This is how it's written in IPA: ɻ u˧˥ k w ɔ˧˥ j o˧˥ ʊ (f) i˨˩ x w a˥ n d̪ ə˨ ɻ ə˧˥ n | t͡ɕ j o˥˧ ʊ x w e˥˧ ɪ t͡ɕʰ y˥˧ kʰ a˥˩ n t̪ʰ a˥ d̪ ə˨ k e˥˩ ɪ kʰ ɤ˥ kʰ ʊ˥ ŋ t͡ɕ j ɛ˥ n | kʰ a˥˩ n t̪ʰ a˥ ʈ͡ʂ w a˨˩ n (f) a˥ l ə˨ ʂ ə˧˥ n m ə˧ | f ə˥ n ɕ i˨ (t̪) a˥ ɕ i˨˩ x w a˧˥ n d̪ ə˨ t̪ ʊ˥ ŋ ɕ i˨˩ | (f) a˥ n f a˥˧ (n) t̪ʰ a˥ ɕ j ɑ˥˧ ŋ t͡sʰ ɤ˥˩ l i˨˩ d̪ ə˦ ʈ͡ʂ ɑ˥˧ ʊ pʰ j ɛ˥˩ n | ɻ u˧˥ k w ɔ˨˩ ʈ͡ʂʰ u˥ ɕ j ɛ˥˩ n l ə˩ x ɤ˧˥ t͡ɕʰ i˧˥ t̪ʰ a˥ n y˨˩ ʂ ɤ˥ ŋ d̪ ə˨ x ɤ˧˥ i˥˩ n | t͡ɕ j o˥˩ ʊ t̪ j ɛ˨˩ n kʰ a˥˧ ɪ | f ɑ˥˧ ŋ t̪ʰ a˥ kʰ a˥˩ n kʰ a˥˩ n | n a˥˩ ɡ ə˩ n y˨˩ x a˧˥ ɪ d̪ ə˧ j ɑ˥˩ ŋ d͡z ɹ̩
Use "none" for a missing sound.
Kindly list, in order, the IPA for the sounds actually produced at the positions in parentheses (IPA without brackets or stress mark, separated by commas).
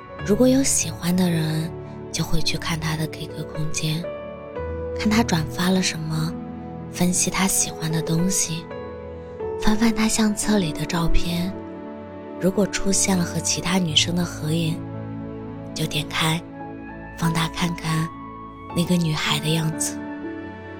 ɕ, f, t̪ʰ, f, n